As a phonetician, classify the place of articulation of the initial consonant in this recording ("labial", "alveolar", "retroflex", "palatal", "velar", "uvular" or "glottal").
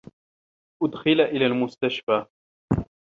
glottal